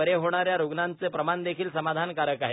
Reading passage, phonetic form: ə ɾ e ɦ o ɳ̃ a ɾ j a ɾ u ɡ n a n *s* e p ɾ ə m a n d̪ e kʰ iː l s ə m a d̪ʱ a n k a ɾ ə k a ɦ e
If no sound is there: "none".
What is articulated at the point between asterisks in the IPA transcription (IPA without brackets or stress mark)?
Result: t͡s